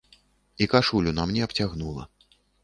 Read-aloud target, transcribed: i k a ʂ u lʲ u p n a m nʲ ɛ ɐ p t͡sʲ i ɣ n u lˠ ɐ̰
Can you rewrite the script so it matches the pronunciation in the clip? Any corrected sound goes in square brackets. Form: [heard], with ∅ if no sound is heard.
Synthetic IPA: i k a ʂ u lʲ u [∅] n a m nʲ ɛ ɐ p t͡sʲ [a] ɣ n u lˠ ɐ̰